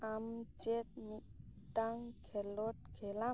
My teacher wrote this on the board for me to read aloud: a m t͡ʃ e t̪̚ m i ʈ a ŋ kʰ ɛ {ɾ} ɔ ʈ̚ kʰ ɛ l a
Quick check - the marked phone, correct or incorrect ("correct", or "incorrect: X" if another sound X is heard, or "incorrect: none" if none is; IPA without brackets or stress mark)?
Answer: incorrect: l